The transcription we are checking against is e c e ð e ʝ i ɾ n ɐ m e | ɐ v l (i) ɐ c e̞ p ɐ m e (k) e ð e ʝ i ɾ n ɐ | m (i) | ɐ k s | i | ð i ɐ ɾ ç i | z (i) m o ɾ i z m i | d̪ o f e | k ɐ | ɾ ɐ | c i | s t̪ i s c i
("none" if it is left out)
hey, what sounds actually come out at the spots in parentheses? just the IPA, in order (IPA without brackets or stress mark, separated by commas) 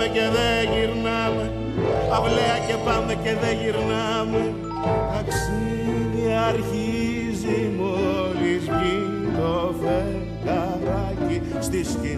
e, c, e, i